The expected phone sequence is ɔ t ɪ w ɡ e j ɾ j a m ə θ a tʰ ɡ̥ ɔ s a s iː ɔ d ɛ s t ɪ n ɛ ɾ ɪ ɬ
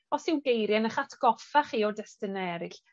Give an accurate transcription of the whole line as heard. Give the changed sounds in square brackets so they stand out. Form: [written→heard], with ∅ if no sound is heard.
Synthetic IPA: ɔ [t→s] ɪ w ɡ e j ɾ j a [m→n] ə [θ→χ] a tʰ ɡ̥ ɔ [s→f] a [s→χ] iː ɔ d ɛ s t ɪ n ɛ ɾ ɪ ɬ